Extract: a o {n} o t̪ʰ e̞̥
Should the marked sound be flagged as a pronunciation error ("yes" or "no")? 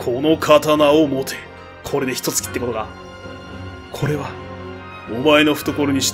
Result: yes